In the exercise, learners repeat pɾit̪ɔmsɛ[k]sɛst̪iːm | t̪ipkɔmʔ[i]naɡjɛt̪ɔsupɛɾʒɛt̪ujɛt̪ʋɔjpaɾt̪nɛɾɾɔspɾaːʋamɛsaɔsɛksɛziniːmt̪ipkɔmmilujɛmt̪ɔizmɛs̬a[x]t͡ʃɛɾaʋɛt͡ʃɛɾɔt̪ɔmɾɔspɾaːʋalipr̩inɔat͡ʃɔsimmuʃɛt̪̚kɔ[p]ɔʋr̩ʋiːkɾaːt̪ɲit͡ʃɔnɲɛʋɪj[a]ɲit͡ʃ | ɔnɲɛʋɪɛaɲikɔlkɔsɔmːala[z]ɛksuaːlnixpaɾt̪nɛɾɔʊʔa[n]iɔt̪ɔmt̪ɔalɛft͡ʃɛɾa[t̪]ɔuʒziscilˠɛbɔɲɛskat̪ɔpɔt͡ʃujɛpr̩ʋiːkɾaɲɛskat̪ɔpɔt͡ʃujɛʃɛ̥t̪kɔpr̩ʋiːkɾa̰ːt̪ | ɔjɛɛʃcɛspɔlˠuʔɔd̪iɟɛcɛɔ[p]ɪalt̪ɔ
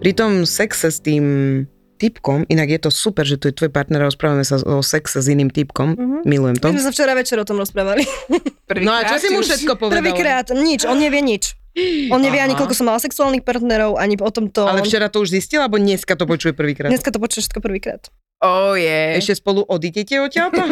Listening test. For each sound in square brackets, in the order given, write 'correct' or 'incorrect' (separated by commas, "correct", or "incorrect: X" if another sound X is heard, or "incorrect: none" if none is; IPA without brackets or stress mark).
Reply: correct, correct, incorrect: f, correct, incorrect: ɛ, incorrect: s, incorrect: ɲ, correct, incorrect: c